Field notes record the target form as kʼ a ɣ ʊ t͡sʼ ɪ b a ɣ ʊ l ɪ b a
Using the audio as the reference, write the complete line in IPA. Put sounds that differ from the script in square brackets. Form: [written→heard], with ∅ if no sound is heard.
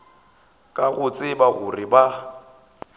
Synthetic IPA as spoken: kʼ a ɣ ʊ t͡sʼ ɪ b a ɣ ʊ [l→r] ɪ b a